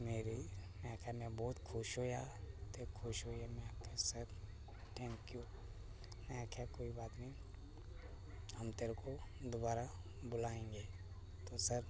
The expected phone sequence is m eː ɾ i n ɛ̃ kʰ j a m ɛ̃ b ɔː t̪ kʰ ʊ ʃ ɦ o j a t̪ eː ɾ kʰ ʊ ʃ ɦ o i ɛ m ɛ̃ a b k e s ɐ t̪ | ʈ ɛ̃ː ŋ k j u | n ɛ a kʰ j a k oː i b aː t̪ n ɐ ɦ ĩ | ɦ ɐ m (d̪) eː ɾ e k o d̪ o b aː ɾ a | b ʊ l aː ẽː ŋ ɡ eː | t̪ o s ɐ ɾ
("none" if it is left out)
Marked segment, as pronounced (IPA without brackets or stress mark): t̪